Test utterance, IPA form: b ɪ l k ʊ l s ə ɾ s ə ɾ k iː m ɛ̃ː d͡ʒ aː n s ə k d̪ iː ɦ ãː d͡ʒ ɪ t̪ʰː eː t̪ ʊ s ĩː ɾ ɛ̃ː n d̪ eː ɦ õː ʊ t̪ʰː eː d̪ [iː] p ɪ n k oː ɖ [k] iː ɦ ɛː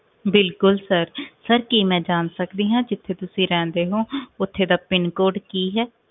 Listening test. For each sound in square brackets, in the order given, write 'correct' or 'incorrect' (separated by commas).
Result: incorrect, correct